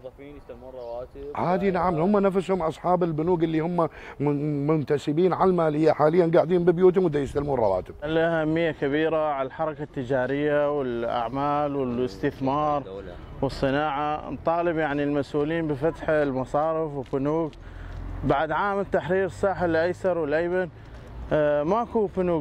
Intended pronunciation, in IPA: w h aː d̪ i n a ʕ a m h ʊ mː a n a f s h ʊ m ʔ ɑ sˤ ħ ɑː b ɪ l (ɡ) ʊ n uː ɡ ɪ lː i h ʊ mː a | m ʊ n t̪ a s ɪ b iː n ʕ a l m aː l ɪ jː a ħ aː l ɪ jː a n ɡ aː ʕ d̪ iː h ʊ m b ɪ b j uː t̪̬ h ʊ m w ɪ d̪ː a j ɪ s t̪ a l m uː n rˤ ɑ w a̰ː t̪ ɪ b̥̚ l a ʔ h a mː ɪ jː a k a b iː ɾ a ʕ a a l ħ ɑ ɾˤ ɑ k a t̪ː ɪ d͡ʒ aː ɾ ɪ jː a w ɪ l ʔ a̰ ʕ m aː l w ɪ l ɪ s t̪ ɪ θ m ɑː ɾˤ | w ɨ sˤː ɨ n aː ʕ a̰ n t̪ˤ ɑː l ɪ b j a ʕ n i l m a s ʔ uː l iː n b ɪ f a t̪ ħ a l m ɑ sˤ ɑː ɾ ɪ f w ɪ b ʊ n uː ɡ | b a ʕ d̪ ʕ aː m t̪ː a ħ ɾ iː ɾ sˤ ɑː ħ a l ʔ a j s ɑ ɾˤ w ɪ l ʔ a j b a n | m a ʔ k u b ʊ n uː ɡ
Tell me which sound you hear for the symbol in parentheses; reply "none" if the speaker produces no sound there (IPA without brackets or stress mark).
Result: b